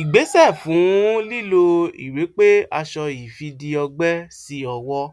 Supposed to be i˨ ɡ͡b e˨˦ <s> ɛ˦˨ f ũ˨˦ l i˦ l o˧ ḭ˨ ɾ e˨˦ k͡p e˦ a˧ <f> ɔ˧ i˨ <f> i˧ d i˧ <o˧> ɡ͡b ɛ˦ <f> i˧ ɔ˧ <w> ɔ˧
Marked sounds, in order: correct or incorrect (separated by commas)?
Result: correct, incorrect, correct, incorrect, incorrect, correct